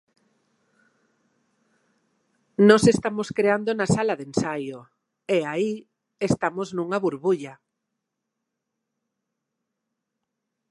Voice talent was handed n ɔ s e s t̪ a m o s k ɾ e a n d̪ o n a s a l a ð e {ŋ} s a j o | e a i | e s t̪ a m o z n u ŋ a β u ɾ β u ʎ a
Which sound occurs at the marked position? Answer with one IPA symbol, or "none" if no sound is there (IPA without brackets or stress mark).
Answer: n